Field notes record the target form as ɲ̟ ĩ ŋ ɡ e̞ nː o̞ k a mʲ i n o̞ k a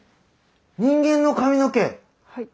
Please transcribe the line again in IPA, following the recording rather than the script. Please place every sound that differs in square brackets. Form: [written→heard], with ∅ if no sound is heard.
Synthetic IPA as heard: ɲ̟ ĩ ŋ ɡ [e̞→ẽ̞] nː o̞ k a mʲ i n o̞ k [a→e]